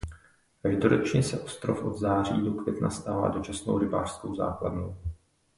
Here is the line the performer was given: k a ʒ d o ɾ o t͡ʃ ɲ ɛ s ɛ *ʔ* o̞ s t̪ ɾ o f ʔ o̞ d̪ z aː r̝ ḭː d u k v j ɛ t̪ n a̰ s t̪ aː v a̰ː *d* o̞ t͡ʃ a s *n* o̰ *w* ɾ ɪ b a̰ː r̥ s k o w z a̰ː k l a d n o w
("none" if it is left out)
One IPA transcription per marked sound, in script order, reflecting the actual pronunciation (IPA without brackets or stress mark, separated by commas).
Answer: ʔ, d, n, w